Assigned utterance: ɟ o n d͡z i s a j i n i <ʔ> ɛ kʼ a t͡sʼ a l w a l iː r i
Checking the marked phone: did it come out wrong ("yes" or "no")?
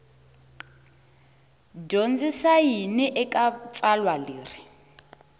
no